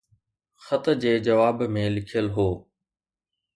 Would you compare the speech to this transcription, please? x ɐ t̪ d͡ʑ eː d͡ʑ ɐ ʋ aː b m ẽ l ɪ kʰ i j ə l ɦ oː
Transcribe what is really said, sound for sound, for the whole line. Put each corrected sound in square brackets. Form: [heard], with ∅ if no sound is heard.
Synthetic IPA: x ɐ t̪ d͡ʑ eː d͡ʑ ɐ ʋ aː b m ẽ l ɪ kʰ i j ə l ɦ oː